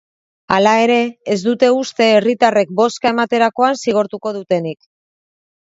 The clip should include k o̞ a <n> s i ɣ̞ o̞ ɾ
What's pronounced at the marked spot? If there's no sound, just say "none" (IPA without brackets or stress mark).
n